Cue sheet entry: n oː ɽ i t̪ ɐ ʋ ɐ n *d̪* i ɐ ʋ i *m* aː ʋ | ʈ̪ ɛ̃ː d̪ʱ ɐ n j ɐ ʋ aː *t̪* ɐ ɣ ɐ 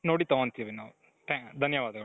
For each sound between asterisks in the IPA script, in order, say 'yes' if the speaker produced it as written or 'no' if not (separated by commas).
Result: no, no, no